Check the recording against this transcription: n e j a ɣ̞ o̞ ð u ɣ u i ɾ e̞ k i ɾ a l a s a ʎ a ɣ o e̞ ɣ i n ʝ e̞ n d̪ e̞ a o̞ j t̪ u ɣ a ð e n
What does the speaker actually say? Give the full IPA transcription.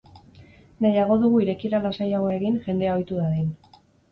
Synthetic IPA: n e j a ɣ̞ o̞ ð u ɣ u i ɾ e̞ k i ɾ a l a s a j a ɣ o e̞ ɣ i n ʝ e̞ n d̪ e̞ a o̞ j t̪ u ð a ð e n